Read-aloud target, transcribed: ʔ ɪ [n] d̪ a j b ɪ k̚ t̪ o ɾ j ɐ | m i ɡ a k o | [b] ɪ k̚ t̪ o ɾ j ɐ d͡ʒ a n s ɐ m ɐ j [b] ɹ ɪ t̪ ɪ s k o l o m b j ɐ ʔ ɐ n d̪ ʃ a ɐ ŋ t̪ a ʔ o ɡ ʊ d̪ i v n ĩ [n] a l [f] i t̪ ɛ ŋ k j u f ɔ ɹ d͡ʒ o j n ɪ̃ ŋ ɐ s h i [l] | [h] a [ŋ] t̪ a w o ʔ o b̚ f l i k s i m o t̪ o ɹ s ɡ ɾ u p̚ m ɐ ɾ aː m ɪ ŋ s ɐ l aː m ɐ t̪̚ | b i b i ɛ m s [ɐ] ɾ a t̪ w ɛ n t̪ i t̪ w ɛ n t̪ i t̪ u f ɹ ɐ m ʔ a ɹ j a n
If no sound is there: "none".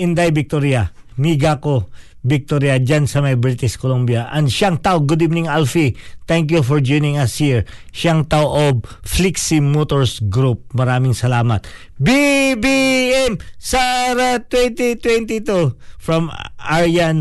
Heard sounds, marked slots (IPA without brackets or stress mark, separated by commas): n, b, b, ŋ, f, ɹ, ʃ, ŋ, a